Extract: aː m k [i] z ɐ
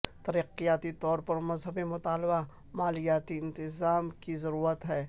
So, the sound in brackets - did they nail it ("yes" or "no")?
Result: yes